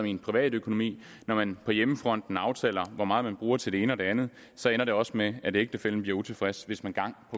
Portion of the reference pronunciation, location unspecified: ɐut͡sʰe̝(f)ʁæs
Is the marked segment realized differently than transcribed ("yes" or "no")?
no